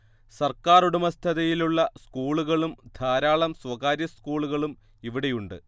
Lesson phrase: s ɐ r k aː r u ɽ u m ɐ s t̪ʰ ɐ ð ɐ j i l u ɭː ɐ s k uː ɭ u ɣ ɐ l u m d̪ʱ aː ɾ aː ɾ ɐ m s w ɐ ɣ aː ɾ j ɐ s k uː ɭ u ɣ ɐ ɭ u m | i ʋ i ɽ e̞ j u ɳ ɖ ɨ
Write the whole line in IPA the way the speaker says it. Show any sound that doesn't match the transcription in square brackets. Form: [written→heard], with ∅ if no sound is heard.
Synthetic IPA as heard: s ɐ r k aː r u ɽ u m ɐ s t̪ʰ ɐ ð ɐ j i l u ɭː ɐ s k uː ɭ u ɣ ɐ [l→ɭ] u m d̪ʱ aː ɾ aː [ɾ→ɭ] ɐ m s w ɐ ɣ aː ɾ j ɐ s k uː ɭ u ɣ ɐ ɭ u m | i ʋ i ɽ e̞ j u ɳ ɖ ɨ